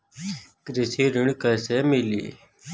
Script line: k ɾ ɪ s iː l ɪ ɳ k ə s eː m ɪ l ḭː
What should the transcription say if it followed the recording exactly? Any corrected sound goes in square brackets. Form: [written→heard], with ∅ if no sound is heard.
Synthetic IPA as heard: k ɾ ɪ s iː [l→ɾ] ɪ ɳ k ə s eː m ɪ l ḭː